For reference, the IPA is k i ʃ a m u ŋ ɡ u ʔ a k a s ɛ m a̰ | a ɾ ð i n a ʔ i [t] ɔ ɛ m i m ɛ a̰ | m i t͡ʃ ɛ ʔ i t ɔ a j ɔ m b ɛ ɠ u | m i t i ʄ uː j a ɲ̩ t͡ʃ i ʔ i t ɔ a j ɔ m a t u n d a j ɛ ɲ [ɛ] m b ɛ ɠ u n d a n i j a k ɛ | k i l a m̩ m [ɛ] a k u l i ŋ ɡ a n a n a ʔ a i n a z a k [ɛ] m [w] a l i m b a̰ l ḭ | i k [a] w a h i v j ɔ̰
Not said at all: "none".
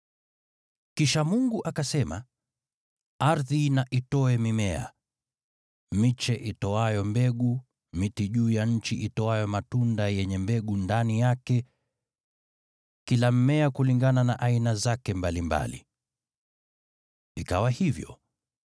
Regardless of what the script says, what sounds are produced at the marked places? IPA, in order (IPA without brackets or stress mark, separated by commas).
t, ɛ, ɛ, ɛ, b, a